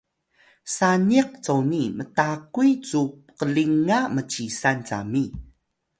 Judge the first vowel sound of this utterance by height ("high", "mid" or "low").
low